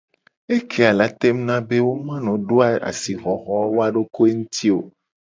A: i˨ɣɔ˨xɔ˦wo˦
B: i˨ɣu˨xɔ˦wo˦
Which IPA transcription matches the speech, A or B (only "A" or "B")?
A